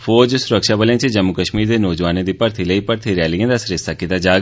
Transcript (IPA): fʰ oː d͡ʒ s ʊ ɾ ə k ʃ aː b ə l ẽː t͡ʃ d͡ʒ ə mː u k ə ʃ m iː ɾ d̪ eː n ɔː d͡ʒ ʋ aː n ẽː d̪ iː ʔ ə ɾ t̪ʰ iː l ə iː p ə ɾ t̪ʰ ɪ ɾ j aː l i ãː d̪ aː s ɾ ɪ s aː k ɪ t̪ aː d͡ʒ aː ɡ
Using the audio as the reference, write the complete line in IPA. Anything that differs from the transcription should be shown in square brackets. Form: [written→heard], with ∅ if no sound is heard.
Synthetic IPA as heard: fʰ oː d͡ʒ s ʊ ɾ ə k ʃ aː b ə l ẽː t͡ʃ d͡ʒ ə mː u k ə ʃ m iː ɾ d̪ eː n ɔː d͡ʒ ʋ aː n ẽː d̪ iː [ʔ→p] ə ɾ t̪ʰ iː l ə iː p ə ɾ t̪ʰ [ɪ→i] ɾ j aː l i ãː d̪ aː s ɾ ɪ s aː k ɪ t̪ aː d͡ʒ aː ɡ